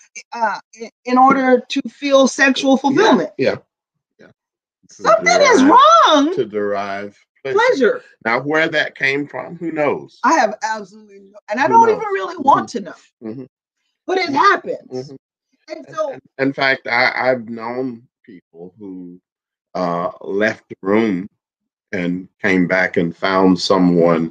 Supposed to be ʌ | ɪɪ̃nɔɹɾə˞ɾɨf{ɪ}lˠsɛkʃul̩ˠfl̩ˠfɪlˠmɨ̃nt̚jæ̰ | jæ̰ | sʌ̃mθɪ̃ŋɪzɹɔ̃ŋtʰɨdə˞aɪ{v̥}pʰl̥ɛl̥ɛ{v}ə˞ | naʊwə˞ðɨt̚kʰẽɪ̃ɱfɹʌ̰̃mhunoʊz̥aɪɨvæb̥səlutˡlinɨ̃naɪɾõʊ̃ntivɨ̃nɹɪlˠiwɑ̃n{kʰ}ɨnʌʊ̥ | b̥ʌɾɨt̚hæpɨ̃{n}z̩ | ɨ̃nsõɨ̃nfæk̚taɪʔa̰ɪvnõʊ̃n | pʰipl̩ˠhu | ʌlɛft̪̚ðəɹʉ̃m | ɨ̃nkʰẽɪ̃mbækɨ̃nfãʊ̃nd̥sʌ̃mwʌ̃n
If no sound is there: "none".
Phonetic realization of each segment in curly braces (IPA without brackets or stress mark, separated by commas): i, v̥, ʒ, tʰ, n